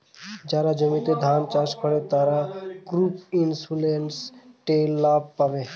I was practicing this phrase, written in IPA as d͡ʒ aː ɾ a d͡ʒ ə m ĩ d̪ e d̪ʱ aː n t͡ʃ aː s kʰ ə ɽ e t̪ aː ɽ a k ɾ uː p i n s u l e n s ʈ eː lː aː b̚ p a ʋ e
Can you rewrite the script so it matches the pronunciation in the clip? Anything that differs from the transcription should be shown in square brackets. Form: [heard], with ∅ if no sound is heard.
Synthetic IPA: d͡ʒ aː ɾ a d͡ʒ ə m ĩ [t̪] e d̪ʱ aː n t͡ʃ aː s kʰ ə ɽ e t̪ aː [ɾ] a k ɾ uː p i n s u l e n s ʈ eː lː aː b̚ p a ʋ e

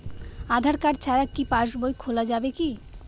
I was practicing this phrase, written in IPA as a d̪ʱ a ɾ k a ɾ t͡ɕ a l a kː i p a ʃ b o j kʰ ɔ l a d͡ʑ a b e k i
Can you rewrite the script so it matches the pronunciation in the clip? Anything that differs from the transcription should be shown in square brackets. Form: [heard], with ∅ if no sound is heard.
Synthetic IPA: a d̪ʱ a ɾ k a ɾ [t͡ɕʰ] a [ɾ] a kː i p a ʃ b o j kʰ [o] l a d͡ʑ a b e k i

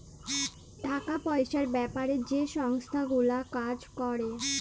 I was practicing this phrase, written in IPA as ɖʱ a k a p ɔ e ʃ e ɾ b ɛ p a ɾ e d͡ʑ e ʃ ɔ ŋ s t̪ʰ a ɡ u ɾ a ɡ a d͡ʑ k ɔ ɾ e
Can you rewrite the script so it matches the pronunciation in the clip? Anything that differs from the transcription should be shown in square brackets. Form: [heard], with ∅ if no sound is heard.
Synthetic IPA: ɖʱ a k a p ɔ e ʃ [a] ɾ b ɛ p a ɾ e d͡ʑ e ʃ ɔ ŋ s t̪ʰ a ɡ u [l] a [k] a d͡ʑ k ɔ ɾ e

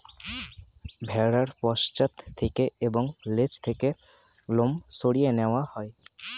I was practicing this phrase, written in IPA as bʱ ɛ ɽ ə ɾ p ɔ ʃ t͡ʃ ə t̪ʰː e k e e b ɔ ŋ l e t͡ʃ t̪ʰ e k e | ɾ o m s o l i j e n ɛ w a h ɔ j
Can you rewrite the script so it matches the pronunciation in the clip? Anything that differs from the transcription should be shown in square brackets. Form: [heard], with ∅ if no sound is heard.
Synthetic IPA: bʱ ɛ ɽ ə ɾ p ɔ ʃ t͡ʃ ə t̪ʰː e k e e b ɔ ŋ l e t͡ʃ t̪ʰ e k e | [l] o m s o [ɽ] i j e n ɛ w a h ɔ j

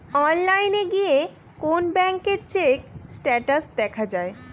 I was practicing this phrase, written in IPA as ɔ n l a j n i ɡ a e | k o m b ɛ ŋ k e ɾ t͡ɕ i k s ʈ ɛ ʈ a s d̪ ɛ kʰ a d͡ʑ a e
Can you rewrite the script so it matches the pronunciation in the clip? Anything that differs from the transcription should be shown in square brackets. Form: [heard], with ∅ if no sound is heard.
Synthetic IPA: ɔ n l a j n [e] ɡ [i] e | k o [n] b ɛ ŋ k e ɾ t͡ɕ [e] k s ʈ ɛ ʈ a s d̪ ɛ kʰ a d͡ʑ a e

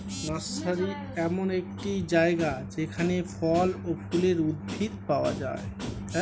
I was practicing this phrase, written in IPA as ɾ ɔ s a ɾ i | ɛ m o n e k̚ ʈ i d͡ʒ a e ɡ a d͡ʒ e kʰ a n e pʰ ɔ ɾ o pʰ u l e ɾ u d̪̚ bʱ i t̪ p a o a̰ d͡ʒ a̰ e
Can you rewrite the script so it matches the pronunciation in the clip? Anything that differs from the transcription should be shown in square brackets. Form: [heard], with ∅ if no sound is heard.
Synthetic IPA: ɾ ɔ s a ɾ i | ɛ m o n e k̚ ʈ i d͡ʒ a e ɡ a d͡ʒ e kʰ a n e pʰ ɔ [l] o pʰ u l e ɾ u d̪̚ bʱ i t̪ p a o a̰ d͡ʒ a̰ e

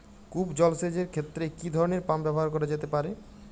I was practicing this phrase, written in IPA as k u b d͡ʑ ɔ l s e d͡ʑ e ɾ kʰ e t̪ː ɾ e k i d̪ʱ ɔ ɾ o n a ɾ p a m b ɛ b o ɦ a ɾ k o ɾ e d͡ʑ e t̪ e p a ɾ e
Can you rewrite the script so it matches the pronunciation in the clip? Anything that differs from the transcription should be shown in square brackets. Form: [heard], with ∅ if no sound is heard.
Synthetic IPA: k u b d͡ʑ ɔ l s e d͡ʑ e ɾ kʰ e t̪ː ɾ e k i d̪ʱ ɔ ɾ o n [e] ɾ p a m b ɛ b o ɦ a ɾ k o ɾ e d͡ʑ e t̪ e p a ɾ e

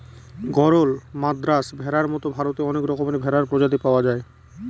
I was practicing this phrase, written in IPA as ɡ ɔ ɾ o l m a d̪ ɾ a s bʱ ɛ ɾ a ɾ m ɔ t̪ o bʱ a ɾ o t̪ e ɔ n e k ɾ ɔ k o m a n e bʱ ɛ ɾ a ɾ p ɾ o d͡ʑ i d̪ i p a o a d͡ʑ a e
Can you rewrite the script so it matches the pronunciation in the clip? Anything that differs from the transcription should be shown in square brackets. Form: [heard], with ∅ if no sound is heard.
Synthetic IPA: ɡ ɔ ɾ o l m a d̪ ɾ a s bʱ ɛ ɾ a ɾ m ɔ t̪ o bʱ a ɾ o t̪ e ɔ n e k ɾ ɔ k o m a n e bʱ ɛ ɾ a ɾ p ɾ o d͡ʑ [a] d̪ i p a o a d͡ʑ a e

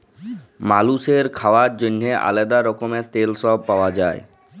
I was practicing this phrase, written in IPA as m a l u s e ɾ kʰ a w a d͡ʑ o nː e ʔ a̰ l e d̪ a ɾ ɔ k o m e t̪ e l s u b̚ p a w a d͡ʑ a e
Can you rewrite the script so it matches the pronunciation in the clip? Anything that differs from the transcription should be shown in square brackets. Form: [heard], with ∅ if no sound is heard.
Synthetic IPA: m a l u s e ɾ kʰ a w a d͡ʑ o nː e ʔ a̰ l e d̪ a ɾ ɔ k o m e t̪ e l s [ɔ] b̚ p a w a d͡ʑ a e

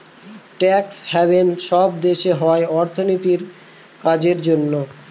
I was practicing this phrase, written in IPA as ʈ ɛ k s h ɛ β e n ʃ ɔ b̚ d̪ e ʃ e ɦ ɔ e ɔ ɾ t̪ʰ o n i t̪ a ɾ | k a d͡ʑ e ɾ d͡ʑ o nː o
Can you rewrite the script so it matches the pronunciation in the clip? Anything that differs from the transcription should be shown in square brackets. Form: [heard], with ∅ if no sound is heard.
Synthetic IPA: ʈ ɛ k s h ɛ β e n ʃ ɔ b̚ d̪ e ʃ e ɦ ɔ e ɔ ɾ t̪ʰ o n i t̪ [i] ɾ | k a d͡ʑ e ɾ d͡ʑ o nː o

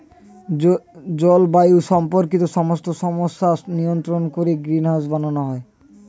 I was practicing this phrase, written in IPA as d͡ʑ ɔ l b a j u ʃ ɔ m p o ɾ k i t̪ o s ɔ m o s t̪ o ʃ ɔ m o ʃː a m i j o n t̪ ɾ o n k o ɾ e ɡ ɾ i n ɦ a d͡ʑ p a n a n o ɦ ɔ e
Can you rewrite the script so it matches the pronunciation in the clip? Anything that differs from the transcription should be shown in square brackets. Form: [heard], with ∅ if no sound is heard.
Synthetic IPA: d͡ʑ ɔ l b a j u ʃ ɔ m p o ɾ k i t̪ o [ʃ] ɔ m o s t̪ o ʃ ɔ m o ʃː a [n] i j o n t̪ ɾ o n k o ɾ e ɡ ɾ i n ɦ a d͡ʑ [b] a n a n o ɦ ɔ e

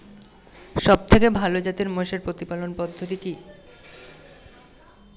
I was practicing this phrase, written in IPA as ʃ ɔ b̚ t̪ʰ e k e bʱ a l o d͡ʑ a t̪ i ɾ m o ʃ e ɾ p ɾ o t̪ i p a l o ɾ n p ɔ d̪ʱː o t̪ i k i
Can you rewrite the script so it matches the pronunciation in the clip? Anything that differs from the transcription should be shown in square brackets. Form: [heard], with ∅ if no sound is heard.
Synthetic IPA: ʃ ɔ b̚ t̪ʰ e k e bʱ a l o d͡ʑ a t̪ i ɾ m o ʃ e ɾ p ɾ o t̪ i p a l o [∅] n p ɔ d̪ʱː o t̪ i k i

